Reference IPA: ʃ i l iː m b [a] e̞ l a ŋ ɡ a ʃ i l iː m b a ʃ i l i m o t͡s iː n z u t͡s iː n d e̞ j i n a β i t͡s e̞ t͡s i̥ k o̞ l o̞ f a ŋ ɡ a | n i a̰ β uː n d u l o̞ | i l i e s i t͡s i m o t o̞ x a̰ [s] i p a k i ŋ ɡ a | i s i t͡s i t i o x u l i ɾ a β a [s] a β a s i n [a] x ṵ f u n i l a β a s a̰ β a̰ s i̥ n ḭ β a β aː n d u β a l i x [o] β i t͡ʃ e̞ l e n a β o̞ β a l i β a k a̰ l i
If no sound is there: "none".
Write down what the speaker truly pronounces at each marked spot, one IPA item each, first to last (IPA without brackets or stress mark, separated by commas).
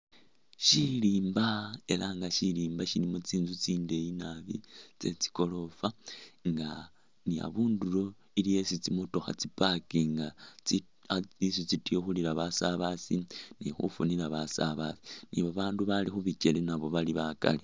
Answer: a, t͡s, s, i, u